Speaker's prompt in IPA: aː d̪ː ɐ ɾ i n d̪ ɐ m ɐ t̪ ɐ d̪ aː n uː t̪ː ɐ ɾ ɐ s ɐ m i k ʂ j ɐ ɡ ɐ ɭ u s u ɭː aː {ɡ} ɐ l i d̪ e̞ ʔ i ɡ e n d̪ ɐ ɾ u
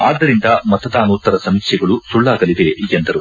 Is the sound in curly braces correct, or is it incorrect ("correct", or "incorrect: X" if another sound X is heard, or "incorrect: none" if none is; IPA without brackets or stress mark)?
correct